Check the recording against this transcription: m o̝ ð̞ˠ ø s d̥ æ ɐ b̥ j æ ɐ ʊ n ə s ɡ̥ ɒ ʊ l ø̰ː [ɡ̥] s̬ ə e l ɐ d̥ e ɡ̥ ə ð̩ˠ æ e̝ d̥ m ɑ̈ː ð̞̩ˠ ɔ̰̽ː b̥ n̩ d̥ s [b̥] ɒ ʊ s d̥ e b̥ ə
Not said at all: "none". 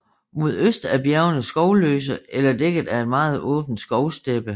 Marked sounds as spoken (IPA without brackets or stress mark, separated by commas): none, ɡ̥